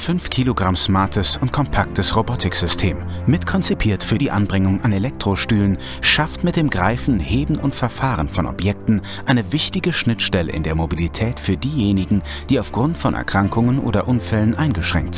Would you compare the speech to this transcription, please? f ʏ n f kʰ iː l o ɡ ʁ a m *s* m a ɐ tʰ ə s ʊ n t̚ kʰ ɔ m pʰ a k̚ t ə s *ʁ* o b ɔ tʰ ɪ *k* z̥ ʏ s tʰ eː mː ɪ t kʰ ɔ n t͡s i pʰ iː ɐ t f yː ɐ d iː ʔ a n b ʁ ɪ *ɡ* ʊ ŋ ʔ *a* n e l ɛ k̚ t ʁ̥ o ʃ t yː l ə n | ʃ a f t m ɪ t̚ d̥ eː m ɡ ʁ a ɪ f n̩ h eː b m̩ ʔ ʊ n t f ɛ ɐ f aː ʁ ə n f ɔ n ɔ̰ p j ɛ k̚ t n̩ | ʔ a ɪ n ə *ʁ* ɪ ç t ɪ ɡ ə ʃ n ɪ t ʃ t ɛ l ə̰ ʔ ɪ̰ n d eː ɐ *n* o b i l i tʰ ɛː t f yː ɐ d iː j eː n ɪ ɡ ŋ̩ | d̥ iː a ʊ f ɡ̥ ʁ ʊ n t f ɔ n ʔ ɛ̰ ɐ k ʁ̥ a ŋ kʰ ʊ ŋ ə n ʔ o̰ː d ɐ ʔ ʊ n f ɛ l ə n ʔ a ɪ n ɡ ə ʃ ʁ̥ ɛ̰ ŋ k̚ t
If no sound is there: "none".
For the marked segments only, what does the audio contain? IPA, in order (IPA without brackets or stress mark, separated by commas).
s, ʁ, k, ŋ, a, v, m